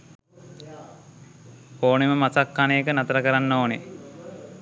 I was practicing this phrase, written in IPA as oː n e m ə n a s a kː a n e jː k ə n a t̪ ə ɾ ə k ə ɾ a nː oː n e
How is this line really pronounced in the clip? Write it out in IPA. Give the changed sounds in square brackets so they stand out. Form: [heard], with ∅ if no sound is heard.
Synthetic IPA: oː n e m ə [m] a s a kː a n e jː k ə n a t̪ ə ɾ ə k ə ɾ a nː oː n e